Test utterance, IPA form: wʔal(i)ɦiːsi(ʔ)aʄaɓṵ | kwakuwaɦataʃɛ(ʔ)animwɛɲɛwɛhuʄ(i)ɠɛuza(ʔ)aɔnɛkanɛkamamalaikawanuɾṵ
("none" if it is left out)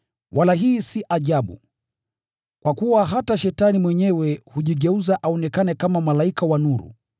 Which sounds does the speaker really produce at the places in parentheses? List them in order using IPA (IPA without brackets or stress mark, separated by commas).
a, ʔ, t, i, ʔ